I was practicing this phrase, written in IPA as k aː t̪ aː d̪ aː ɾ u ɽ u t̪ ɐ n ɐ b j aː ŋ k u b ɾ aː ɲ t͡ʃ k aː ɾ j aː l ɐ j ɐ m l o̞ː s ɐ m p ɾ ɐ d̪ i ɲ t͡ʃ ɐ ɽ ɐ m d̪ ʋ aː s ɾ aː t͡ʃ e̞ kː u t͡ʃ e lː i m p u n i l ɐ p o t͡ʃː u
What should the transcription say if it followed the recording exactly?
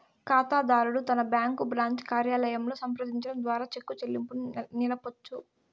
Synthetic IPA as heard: k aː t̪ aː d̪ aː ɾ u ɽ u t̪ ɐ n ɐ b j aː ŋ k u b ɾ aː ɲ t͡ʃ k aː ɾ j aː l ɐ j ɐ m l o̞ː s ɐ m p ɾ ɐ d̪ i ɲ t͡ʃ ɐ ɽ ɐ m d̪ ʋ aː ɾ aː t͡ʃ e̞ kː u t͡ʃ e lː i m p u n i l ɐ p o t͡ʃː u

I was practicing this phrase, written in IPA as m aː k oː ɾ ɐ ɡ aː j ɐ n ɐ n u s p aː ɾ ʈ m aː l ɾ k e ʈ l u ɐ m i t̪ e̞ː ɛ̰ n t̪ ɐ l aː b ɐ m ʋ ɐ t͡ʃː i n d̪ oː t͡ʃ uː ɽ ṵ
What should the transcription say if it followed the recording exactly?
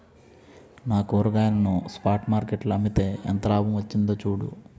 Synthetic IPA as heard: n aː k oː ɾ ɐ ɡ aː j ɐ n ɐ n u s p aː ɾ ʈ m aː ɾ k e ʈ l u ɐ m i t̪ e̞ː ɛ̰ n t̪ ɐ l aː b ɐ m ʋ ɐ t͡ʃː i n d̪ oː t͡ʃ uː ɽ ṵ

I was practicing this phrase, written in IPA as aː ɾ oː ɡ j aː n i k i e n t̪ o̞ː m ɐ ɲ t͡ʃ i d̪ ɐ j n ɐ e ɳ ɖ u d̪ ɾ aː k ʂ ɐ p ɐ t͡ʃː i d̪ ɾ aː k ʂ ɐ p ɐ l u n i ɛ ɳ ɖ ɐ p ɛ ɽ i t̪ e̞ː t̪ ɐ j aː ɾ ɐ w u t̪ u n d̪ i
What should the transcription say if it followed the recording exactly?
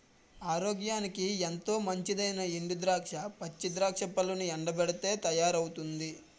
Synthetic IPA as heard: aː ɾ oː ɡ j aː n i k i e n t̪ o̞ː m ɐ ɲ t͡ʃ i d̪ ɐ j n ɐ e ɳ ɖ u d̪ ɾ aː k ʂ ɐ p ɐ t͡ʃː i d̪ ɾ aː k ʂ ɐ p ɐ l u n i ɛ ɳ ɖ ɐ b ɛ ɽ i t̪ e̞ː t̪ ɐ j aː ɾ ɐ w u t̪ u n d̪ i

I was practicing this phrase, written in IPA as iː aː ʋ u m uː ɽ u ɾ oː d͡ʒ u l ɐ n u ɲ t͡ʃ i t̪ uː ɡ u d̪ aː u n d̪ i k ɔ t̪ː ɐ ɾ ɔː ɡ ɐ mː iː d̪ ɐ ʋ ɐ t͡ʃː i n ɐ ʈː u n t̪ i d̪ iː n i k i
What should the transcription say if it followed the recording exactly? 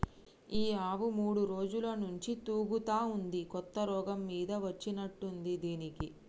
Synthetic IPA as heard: iː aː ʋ u m uː ɽ u ɾ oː d͡ʒ u l ɐ n u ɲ t͡ʃ i t̪ uː ɡ u t̪ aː u n d̪ i k ɔ t̪ː ɐ ɾ ɔː ɡ ɐ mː iː d̪ ɐ ʋ ɐ t͡ʃː i n ɐ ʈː u n d̪ i d̪ iː n i k i

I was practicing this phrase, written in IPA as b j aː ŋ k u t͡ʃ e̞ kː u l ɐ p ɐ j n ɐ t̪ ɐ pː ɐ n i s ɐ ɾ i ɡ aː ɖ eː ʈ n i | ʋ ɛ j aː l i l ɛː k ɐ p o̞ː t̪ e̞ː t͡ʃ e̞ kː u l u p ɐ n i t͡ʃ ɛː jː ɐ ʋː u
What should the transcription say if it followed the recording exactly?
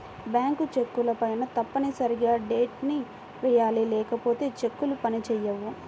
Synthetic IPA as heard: b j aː ŋ k u t͡ʃ e̞ kː u l ɐ p ɐ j n ɐ t̪ ɐ pː ɐ n i s ɐ ɾ i ɡ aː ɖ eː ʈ n i | ʋ ɛ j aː l i l ɛː k ɐ p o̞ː t̪ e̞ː t͡ʃ e̞ kː u l u p ɐ n i t͡ʃ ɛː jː ɐ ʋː u

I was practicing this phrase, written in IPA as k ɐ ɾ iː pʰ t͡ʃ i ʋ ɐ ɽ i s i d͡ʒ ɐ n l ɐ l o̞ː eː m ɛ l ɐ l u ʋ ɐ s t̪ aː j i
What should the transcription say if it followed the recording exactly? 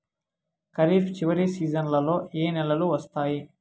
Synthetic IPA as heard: k ɐ ɾ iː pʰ t͡ʃ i ʋ ɐ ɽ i s iː d͡ʒ ɐ n l ɐ l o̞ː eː n ɛ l ɐ l u ʋ ɐ s t̪ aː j i

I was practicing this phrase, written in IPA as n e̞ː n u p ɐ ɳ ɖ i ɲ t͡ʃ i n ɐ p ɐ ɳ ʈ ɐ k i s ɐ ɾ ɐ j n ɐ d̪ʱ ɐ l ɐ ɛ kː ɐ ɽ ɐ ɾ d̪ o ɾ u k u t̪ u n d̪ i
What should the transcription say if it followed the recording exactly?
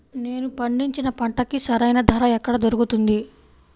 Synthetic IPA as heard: n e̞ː n u p ɐ ɳ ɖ i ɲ t͡ʃ i n ɐ p ɐ ɳ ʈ ɐ k i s ɐ ɾ ɐ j n ɐ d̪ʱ ɐ ɾ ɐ ɛ kː ɐ ɽ ɐ d̪ o ɾ u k u t̪ u n d̪ i

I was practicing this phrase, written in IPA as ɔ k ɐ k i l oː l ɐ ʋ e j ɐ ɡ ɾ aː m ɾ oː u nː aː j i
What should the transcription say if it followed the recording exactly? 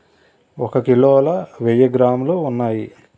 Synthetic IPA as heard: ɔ k ɐ k i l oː l ɐ ʋ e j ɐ ɡ ɾ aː m l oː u nː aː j i

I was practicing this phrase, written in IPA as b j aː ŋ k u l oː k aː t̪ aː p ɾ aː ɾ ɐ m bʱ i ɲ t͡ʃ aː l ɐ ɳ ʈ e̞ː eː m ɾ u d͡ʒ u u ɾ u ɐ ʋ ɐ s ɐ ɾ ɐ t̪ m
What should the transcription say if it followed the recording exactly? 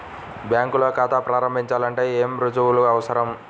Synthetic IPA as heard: b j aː ŋ k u l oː k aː t̪ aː p ɾ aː ɾ ɐ m bʱ i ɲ t͡ʃ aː l ɐ ɳ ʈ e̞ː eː m ɾ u d͡ʒ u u l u ɐ ʋ ɐ s ɐ ɾ ɐ m

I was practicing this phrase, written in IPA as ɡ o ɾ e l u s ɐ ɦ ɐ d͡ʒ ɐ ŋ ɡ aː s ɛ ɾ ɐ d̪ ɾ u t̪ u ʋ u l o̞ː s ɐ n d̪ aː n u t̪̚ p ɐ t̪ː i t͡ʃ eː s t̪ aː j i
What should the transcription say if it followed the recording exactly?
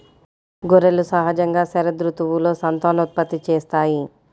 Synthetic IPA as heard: ɡ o ɾ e l u s ɐ ɦ ɐ d͡ʒ ɐ ŋ ɡ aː s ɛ ɾ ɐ d̪ ɾ u t̪ u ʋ u l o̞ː s ɐ n t̪ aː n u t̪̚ p ɐ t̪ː i t͡ʃ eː s t̪ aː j i

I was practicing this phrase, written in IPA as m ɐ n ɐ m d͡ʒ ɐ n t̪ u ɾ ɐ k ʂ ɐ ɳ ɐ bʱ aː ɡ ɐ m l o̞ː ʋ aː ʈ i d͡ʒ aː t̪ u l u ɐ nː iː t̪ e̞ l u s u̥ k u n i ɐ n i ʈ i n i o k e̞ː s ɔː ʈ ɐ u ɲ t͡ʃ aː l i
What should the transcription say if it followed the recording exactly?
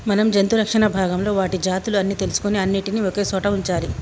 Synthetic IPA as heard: m ɐ n ɐ m d͡ʒ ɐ n t̪ u ɾ ɐ k ʂ ɐ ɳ ɐ bʱ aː ɡ ɐ m l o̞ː ʋ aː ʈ i d͡ʒ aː t̪ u l u ɐ nː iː t̪ e̞ l u s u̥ k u n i ɐ nː i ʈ i n i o k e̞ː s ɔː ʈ ɐ u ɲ t͡ʃ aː l i

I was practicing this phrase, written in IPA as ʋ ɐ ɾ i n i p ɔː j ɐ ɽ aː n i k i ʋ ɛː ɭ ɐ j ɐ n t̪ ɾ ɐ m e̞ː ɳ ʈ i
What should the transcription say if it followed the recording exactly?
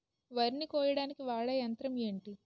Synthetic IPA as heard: ʋ ɐ ɾ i n i k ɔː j ɐ ɽ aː n i k i ʋ aː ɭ ɐ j ɐ n t̪ ɾ ɐ m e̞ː ɳ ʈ i

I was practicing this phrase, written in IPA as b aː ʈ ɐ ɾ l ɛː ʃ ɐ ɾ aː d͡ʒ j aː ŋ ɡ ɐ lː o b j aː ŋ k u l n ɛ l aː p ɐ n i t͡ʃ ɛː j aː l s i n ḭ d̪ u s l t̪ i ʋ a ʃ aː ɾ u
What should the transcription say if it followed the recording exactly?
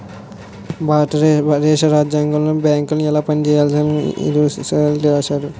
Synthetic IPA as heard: b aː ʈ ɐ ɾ ɾ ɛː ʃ ɐ ɾ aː d͡ʒ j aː ŋ ɡ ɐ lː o b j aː ŋ k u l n ɛ l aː p ɐ n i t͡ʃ ɛː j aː l s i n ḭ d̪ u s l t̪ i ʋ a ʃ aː ɾ u

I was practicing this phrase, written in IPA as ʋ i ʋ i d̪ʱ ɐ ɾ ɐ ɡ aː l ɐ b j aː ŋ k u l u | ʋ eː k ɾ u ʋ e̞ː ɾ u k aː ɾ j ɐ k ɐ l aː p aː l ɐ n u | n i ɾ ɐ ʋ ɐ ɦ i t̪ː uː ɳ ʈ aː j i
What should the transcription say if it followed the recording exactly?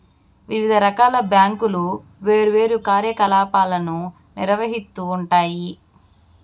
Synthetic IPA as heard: ʋ i ʋ i d̪ʱ ɐ ɾ ɐ k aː l ɐ b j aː ŋ k u l u | ʋ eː ɾ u ʋ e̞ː ɾ u k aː ɾ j ɐ k ɐ l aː p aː l ɐ n u | n i ɾ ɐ ʋ ɐ ɦ i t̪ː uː ɳ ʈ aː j i

